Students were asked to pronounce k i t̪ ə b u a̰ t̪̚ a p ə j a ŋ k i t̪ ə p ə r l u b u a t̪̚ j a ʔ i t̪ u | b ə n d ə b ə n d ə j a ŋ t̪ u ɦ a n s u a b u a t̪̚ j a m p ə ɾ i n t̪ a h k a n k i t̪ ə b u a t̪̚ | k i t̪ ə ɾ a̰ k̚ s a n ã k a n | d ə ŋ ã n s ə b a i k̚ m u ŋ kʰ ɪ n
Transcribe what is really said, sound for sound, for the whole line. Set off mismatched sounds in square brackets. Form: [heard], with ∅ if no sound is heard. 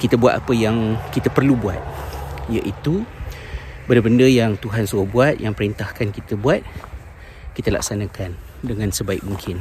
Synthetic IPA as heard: k i t̪ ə b u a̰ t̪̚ a p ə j a ŋ k i t̪ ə p ə r l u b u a t̪̚ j a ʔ i t̪ u | b ə n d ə b ə n d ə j a ŋ t̪ u ɦ a n s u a b u a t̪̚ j a [ŋ] p ə ɾ i n t̪ a h k a n k i t̪ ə b u a t̪̚ | k i t̪ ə [l] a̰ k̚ s a n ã k a n | d ə ŋ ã n s ə b a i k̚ m u ŋ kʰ ɪ n